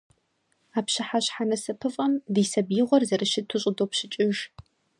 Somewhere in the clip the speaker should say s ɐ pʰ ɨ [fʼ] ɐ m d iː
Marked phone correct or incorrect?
correct